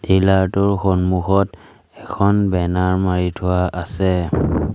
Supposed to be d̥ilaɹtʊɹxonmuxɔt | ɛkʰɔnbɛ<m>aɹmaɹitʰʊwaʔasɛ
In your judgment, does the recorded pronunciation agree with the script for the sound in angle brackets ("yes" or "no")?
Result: no